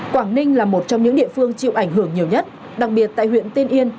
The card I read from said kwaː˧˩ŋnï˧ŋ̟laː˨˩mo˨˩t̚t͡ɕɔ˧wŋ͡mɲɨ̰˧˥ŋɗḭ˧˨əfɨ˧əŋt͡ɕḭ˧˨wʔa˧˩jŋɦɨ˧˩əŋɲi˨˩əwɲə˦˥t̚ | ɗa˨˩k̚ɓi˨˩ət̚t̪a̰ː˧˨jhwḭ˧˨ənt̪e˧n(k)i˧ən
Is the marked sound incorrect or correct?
incorrect